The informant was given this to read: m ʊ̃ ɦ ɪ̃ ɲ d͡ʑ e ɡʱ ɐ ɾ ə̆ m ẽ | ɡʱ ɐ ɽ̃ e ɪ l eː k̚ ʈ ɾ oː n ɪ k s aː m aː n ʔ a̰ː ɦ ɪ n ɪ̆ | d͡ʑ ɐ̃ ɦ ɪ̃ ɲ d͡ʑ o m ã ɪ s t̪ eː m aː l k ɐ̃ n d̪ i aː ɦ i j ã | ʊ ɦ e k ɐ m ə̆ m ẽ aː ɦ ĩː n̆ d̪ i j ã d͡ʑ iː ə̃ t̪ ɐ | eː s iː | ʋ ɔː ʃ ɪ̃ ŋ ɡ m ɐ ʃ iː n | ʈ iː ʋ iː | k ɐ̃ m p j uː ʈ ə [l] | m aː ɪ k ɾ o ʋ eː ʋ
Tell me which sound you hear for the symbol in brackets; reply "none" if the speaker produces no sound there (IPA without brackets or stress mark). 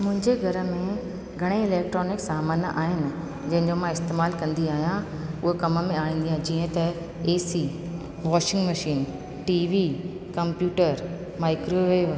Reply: ɾ